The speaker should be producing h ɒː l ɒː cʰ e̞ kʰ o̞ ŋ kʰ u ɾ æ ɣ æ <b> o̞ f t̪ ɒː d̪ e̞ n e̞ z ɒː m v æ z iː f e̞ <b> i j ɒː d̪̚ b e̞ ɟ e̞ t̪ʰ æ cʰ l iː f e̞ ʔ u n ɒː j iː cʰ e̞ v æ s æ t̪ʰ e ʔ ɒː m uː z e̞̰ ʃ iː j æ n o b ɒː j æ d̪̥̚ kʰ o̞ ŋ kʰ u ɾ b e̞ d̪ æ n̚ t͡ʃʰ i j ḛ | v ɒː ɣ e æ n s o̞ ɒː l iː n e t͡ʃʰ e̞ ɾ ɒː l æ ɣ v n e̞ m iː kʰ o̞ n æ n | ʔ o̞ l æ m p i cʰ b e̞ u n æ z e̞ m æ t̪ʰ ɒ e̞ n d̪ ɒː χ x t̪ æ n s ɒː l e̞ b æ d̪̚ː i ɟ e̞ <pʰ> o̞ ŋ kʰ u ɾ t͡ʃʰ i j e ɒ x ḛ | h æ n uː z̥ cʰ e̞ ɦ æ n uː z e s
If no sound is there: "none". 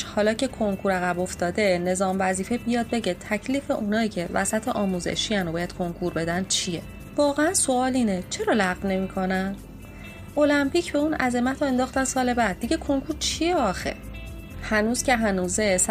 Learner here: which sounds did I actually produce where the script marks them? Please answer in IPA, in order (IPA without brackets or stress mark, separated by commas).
b, b, kʰ